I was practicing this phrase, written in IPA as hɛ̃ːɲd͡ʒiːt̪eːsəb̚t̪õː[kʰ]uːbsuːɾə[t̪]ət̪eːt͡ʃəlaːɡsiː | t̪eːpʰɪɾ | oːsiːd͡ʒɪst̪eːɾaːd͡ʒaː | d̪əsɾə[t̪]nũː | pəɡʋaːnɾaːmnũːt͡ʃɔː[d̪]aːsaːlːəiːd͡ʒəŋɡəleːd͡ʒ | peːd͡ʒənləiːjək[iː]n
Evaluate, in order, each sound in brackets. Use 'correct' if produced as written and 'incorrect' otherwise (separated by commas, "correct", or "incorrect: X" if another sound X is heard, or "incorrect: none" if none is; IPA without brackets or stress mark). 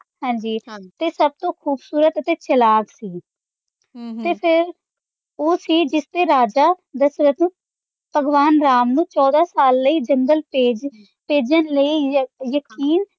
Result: correct, correct, correct, correct, correct